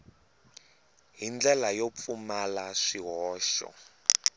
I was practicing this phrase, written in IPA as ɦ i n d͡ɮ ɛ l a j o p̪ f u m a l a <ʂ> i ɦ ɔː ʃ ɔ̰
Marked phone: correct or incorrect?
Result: correct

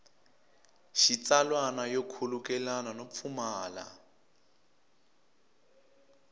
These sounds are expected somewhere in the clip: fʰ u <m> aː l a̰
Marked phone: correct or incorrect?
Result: correct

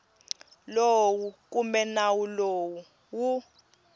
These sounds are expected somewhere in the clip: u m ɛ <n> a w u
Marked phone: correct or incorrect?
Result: correct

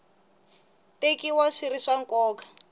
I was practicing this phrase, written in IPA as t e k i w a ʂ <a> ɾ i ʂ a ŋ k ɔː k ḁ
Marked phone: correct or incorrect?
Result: incorrect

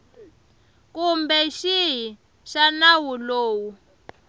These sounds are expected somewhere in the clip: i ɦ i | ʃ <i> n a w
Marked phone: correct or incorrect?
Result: incorrect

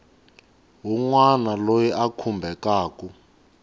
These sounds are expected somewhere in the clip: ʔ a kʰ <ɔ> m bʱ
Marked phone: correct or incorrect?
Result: incorrect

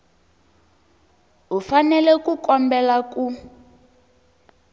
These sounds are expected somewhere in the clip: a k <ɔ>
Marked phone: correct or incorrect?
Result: incorrect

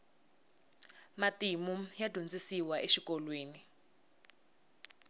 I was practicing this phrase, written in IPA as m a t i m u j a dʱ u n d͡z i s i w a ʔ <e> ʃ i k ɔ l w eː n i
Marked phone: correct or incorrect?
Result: correct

